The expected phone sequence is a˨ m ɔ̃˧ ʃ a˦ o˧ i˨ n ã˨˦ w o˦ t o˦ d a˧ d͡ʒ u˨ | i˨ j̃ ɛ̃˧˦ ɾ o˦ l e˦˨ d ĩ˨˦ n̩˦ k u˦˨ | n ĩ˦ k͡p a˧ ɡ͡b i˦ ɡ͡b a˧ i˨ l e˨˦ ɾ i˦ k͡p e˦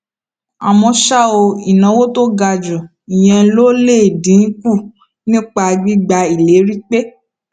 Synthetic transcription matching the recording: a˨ m ɔ̃˧ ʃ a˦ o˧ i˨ n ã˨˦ w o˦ t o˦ ɡ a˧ d͡ʒ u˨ | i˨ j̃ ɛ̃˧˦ l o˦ l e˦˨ d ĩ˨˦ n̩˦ k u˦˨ | n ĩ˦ k͡p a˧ ɡ͡b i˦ ɡ͡b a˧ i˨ l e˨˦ ɾ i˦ k͡p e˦